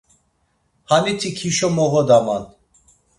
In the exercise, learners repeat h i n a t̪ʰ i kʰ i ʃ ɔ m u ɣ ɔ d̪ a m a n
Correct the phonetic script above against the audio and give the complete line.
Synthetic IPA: h a n i t̪ʰ i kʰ i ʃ ɔ m ɔ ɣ ɔ d̪ a m a n